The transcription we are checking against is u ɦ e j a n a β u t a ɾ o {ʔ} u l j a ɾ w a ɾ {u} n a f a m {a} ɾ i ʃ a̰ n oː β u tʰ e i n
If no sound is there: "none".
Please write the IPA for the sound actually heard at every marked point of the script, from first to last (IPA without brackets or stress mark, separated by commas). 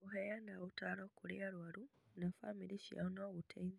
k, u, i